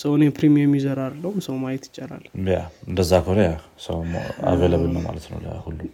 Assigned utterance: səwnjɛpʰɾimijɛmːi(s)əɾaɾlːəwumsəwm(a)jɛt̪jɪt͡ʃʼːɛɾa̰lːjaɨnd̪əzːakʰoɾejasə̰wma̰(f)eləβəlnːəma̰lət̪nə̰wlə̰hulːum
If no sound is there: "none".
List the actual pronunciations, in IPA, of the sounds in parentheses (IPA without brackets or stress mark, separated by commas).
z, a, v